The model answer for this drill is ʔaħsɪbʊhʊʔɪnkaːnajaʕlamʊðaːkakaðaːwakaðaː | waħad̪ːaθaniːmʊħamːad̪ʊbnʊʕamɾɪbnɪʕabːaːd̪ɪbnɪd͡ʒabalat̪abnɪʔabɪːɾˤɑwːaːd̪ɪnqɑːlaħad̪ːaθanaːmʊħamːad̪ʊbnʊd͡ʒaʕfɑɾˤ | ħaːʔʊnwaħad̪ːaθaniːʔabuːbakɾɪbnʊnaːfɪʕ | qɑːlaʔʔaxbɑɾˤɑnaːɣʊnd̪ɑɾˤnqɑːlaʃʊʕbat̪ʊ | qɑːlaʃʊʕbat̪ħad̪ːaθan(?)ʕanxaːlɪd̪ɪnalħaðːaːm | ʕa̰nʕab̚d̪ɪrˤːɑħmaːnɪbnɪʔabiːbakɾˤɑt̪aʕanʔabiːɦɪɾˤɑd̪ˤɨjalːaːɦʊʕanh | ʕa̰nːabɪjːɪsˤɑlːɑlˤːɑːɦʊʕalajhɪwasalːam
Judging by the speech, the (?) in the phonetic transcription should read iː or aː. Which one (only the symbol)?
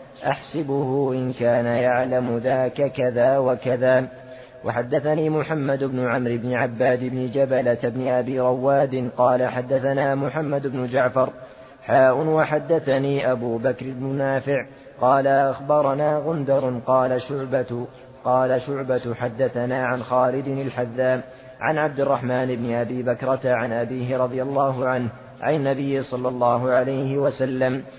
aː